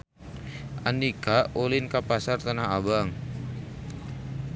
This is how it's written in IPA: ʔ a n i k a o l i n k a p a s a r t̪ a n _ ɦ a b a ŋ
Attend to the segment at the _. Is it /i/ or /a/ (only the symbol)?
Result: a